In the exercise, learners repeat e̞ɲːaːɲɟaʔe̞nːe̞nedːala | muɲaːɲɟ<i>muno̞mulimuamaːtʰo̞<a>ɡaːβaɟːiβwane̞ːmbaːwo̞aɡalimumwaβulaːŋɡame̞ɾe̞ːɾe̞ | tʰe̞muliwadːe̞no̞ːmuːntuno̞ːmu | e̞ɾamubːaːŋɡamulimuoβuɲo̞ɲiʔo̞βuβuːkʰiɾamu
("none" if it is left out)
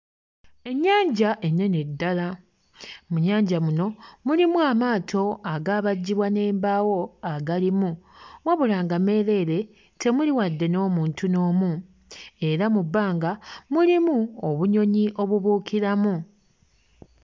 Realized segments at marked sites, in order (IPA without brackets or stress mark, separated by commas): a, a